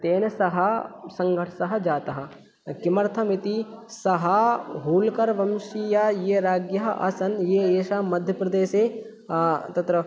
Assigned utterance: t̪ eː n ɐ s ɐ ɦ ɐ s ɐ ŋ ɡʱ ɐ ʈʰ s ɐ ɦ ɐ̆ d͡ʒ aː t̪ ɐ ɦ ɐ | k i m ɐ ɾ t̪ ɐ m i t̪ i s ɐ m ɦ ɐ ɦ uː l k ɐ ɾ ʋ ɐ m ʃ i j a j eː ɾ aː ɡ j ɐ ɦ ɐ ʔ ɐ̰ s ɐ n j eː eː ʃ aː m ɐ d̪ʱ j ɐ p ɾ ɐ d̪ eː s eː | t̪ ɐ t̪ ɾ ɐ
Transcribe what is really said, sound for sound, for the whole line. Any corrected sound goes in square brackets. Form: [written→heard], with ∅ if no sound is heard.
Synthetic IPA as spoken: t̪ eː n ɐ s ɐ ɦ ɐ s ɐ ŋ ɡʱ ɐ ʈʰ s ɐ ɦ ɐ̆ d͡ʒ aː t̪ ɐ ɦ ɐ | k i m ɐ ɾ [t̪→t̪ʰ] ɐ m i t̪ i s ɐ [m→∅] ɦ ɐ ɦ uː l k ɐ ɾ ʋ ɐ m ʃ i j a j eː ɾ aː ɡ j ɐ ɦ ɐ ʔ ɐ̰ s ɐ n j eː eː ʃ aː m ɐ d̪ʱ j ɐ p ɾ ɐ d̪ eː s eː | t̪ ɐ t̪ ɾ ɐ